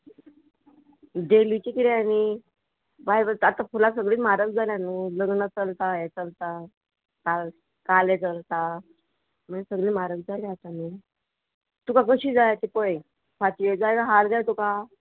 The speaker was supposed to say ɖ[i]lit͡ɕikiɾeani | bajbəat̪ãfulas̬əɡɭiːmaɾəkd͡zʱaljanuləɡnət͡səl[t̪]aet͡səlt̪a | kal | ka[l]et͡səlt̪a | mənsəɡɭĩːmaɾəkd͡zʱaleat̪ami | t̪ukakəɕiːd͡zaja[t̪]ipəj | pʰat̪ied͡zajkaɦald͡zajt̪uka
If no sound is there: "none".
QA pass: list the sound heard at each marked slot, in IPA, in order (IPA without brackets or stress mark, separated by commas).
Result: e, t̪, l, t̪